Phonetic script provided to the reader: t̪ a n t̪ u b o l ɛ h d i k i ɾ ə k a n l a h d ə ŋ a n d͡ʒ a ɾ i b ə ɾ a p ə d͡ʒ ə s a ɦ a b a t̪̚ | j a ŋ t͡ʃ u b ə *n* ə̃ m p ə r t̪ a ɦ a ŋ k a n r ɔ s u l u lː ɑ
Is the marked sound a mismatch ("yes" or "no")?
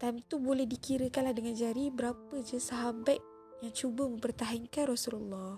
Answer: yes